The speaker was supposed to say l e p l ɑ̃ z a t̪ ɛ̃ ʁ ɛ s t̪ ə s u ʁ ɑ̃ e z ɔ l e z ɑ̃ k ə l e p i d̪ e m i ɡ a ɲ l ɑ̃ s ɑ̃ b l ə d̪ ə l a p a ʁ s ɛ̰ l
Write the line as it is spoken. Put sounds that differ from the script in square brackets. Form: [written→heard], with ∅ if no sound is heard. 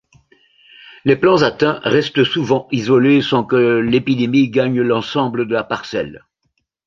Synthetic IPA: l e p l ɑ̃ z a t̪ ɛ̃ ʁ ɛ s t̪ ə s u [ʁ→v] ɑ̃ [e→i] z ɔ l e [z→s] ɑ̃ k ə l e p i d̪ e m i ɡ a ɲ l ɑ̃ s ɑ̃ b l ə d̪ ə l a p a ʁ s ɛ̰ l